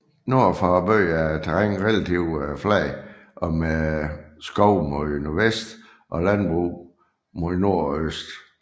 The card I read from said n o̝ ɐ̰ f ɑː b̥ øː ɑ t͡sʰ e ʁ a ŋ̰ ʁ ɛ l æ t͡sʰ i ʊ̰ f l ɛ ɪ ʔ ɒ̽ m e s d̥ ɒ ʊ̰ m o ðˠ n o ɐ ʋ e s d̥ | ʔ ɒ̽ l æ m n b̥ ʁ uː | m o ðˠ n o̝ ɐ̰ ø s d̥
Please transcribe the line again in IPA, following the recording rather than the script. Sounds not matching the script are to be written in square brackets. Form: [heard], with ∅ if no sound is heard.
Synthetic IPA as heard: n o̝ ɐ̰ f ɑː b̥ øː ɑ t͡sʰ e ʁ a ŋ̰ ʁ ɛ l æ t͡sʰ i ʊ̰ f l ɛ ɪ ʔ ɒ̽ m e s [ɡ̥] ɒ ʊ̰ m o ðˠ n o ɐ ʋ e s d̥ | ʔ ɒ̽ l æ [∅] n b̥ ʁ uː | m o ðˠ n o̝ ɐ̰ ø s d̥